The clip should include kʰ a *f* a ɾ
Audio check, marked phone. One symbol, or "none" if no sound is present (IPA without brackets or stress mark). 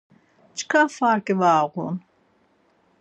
f